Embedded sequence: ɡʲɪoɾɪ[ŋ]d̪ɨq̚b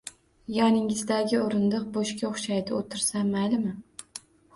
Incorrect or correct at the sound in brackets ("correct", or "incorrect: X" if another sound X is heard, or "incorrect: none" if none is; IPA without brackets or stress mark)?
incorrect: n